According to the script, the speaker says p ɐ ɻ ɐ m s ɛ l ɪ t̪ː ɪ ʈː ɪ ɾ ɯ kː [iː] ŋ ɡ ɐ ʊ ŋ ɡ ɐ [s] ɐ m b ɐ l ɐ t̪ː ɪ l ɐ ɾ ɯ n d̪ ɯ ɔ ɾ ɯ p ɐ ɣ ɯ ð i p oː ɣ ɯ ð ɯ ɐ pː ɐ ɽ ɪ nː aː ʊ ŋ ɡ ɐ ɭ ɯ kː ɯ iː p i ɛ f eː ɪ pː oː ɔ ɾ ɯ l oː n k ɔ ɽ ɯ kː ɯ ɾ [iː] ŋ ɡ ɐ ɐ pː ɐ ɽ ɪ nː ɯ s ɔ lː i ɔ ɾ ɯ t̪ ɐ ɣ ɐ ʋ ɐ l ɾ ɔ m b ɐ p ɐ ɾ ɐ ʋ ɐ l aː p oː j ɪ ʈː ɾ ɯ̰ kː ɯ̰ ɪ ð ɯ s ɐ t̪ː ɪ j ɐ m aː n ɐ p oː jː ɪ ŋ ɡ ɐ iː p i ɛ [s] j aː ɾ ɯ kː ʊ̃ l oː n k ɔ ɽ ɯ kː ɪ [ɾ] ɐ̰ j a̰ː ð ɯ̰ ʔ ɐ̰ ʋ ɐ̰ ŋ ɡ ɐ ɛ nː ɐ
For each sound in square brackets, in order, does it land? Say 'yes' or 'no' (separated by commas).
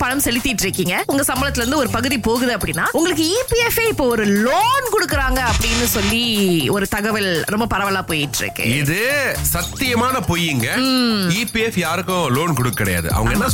yes, yes, no, no, no